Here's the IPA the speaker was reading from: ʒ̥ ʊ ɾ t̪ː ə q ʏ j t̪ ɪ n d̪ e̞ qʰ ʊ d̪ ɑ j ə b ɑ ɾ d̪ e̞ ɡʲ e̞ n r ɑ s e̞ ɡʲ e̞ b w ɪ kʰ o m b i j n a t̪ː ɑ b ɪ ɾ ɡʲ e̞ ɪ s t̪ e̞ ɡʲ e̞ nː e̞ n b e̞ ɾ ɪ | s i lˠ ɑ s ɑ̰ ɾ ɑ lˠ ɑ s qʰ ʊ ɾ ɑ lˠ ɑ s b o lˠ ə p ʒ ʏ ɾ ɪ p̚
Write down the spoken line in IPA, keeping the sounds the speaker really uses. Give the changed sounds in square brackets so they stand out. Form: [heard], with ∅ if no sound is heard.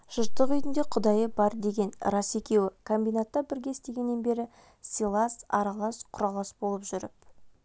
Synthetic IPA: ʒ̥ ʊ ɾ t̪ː ə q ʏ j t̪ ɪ n d̪ e̞ qʰ ʊ d̪ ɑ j ə b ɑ ɾ d̪ e̞ ɡʲ e̞ n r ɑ s e̞ [kʲ] e̞ [∅] w ɪ kʰ o m b i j n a t̪ː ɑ b ɪ ɾ ɡʲ e̞ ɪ s t̪ e̞ ɡʲ e̞ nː e̞ n b e̞ ɾ ɪ | s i lˠ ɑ s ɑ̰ ɾ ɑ lˠ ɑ s qʰ ʊ ɾ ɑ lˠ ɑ s b o lˠ ə p ʒ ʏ ɾ ɪ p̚